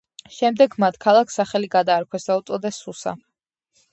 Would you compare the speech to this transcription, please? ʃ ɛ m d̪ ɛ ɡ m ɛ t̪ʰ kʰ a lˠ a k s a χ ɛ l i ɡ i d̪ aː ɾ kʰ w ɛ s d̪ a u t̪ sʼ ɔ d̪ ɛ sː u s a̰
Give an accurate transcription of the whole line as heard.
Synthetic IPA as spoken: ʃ ɛ m d̪ ɛ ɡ m a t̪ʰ kʰ a lˠ a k s a χ ɛ l i ɡ a d̪ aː ɾ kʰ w ɛ s d̪ a u t̪ sʼ ɔ d̪ ɛ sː u s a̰